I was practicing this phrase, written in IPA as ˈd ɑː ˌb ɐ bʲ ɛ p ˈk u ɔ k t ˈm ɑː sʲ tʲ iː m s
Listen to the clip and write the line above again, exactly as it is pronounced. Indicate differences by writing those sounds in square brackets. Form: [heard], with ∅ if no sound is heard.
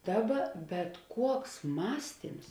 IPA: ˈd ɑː ˌb ɐ bʲ ɛ [t] ˈk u ɔ k [s] ˈm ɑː sʲ tʲ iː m s

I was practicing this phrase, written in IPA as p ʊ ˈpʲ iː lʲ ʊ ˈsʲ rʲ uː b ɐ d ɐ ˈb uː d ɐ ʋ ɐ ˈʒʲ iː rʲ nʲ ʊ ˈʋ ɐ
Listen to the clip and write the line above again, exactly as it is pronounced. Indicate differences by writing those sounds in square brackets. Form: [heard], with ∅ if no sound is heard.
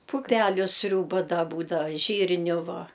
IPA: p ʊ ˈpʲ [æː] lʲ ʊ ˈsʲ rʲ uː b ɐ d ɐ ˈb uː d ɐ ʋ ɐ ˈʒʲ iː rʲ nʲ ʊ ˈʋ ɐ

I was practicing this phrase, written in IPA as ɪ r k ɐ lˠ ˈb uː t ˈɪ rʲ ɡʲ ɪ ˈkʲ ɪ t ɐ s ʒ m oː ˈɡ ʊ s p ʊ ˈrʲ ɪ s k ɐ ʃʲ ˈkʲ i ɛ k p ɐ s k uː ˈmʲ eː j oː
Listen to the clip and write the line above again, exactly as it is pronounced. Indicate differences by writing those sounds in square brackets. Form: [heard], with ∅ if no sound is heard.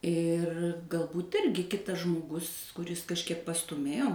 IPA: ɪ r [ɡ] ɐ lˠ ˈb uː t ˈɪ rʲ ɡʲ ɪ ˈkʲ ɪ t ɐ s ʒ m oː ˈɡ ʊ s [k] ʊ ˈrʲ ɪ s k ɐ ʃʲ ˈkʲ i ɛ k p ɐ s [t] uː ˈmʲ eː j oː

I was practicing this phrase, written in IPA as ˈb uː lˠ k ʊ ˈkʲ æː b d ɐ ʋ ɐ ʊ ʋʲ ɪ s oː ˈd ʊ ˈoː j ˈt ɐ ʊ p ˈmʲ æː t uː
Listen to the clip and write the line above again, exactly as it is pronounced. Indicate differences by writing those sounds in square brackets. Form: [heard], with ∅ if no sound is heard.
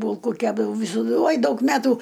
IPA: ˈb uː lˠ k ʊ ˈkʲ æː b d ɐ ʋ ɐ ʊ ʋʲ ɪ s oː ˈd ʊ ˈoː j [ˈd] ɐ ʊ [k] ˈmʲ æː t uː

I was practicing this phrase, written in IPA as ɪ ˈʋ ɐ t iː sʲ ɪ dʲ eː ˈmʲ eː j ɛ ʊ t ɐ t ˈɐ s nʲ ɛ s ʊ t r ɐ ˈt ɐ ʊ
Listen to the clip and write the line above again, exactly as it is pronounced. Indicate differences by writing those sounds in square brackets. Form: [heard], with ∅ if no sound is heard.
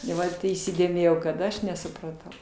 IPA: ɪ ˈʋ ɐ t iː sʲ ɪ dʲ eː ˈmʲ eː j ɛ ʊ [k] ɐ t ˈɐ [ʃ] nʲ ɛ s ʊ [p] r ɐ ˈt ɐ ʊ

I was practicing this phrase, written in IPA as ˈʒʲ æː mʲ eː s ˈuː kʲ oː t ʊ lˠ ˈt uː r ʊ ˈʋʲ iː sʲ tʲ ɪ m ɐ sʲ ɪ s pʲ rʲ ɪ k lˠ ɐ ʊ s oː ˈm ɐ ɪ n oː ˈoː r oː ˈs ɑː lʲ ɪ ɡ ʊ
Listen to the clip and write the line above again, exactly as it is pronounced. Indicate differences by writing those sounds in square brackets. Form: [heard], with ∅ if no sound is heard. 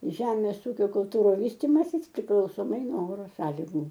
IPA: ˈʒʲ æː mʲ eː s ˈuː kʲ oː [k] ʊ lˠ ˈt uː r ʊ ˈʋʲ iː sʲ tʲ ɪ m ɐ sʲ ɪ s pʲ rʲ ɪ k lˠ ɐ ʊ s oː ˈm ɐ ɪ n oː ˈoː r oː ˈs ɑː lʲ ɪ ɡ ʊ

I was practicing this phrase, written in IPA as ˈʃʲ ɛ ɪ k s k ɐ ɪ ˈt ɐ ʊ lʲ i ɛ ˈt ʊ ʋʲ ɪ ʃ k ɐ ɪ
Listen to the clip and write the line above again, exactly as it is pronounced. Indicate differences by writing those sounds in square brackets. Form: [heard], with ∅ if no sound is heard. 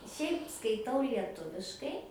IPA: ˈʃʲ ɛ ɪ [p] s k ɐ ɪ ˈt ɐ ʊ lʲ i ɛ ˈt ʊ ʋʲ ɪ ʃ k ɐ ɪ

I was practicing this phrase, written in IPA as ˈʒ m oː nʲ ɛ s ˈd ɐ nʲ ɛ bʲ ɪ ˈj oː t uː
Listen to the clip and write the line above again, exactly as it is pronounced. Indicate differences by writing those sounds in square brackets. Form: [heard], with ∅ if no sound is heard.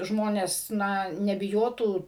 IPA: ˈʒ m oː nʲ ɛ s [ˈn] ɐ nʲ ɛ bʲ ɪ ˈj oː t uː

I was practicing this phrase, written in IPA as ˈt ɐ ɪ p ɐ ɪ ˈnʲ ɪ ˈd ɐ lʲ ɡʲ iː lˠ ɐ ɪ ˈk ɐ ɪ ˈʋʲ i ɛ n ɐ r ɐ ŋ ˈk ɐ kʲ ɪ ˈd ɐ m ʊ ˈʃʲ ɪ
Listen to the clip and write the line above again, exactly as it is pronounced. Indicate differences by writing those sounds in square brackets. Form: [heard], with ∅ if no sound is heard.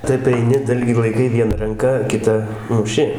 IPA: ˈt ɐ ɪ p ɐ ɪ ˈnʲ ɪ ˈd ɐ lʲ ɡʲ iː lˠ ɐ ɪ ˈk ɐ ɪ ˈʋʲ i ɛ n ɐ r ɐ ŋ ˈk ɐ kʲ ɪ [ˈt] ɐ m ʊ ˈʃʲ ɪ

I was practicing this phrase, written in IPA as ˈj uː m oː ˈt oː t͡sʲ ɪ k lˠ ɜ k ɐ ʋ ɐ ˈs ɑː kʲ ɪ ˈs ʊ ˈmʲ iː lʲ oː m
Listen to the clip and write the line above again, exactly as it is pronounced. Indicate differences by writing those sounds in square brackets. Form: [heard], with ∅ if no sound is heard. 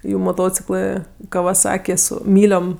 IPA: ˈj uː m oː ˈt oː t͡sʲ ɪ k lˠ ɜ k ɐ ʋ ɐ ˈs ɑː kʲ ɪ ˈs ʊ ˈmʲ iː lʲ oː m

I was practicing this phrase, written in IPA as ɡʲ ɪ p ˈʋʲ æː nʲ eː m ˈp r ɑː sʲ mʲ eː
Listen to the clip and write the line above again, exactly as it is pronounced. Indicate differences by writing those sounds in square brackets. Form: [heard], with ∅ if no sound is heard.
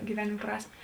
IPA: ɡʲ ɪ [∅] ˈʋʲ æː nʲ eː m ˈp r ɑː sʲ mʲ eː

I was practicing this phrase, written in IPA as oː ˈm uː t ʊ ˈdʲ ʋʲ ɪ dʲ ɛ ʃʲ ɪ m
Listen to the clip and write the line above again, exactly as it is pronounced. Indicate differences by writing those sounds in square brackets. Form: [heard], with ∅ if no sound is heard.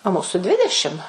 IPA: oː ˈm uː [s] ʊ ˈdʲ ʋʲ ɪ dʲ ɛ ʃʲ ɪ m

